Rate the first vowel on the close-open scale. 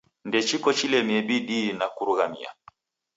mid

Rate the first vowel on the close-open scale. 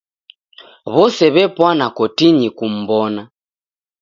mid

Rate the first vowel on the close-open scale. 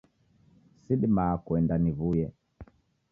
close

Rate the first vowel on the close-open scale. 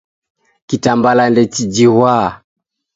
close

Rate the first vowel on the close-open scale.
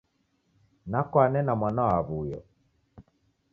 open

